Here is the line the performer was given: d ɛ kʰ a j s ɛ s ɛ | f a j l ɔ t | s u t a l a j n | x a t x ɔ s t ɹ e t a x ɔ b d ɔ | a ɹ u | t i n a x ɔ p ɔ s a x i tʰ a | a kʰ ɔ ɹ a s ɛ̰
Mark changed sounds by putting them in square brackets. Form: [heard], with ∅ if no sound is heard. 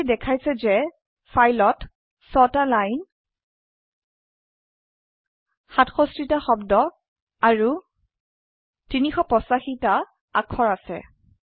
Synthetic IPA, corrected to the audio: d ɛ kʰ a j s ɛ [z] ɛ | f a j l ɔ t | s [ɔ] t a l a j n | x a t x ɔ s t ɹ [i] t a x ɔ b d ɔ | a ɹ u | t i n [i] x ɔ p ɔ s a x i [t] a | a kʰ ɔ ɹ a s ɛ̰